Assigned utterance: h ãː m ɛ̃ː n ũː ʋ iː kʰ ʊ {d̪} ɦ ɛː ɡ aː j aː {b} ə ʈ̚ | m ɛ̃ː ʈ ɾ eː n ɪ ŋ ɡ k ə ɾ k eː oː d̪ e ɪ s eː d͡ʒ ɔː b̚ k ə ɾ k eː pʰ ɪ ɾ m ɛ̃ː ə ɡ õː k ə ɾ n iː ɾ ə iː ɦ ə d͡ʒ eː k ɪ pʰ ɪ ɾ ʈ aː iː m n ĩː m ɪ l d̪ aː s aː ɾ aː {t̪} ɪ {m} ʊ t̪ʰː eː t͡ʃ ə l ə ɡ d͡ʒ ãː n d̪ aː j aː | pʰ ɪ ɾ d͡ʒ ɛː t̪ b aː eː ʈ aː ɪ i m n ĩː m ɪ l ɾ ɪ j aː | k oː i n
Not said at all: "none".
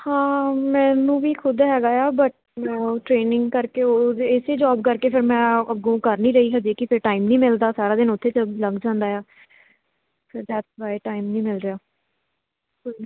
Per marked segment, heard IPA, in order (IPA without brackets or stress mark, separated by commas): d̪, b, d̪, n